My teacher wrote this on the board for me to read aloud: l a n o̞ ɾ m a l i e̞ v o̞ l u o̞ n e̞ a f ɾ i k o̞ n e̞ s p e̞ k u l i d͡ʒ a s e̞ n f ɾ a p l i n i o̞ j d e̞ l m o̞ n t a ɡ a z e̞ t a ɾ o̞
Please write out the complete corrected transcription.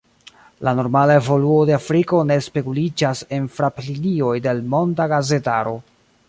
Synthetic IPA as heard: l a n o̞ ɾ m a l a e̞ v o̞ l u o̞ d e̞ a f ɾ i k o̞ n e̞ s p e̞ k u l i d͡ʒ a s e̞ n f ɾ a p l i n i o̞ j d e̞ l m o̞ n d a ɡ a z e̞ t a ɾ o̞